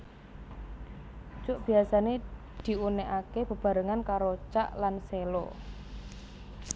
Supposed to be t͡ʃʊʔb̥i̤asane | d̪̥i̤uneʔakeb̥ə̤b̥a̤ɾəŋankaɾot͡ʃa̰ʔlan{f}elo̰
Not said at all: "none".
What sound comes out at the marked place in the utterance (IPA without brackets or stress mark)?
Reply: s